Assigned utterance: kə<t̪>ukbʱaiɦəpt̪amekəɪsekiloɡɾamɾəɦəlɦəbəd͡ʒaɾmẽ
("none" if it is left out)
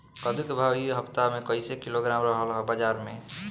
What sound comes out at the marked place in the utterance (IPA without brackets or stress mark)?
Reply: d̪